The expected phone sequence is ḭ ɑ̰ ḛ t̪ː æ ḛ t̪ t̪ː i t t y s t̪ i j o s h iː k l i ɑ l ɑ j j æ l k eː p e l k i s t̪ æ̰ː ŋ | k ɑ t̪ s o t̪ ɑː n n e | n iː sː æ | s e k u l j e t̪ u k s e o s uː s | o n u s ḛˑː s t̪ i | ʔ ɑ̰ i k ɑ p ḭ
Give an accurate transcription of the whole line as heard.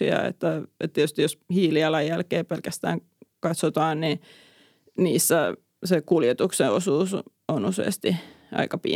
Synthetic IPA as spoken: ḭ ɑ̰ ḛ t̪ː æ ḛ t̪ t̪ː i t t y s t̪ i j o s h iː l i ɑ l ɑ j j æ l k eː p e l k æ s t̪ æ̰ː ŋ | k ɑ t̪ s o t̪ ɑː n n i | n iː sː æ | s e k u l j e t̪ u k s e o s uː s | o n u s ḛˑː s t̪ i | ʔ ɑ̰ i k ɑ p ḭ